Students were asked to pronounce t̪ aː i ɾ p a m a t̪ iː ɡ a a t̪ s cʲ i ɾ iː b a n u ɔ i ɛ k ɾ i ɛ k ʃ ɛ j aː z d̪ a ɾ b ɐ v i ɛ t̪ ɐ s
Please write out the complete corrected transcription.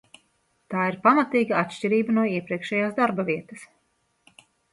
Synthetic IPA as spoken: t̪ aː i ɾ p a m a t̪ iː ɡ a a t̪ ʃ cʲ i ɾ iː b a n u ɔ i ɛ p ɾ i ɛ k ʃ ɛ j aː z d̪ a ɾ b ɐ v i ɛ t̪ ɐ s